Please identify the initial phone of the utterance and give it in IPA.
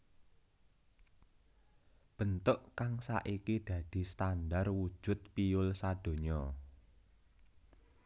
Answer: b̥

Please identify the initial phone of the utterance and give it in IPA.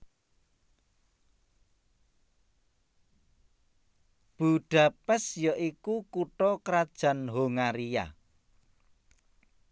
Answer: b̥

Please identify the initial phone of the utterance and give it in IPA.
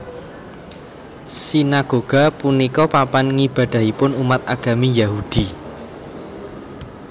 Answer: s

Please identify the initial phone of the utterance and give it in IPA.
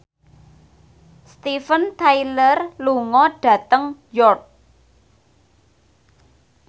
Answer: s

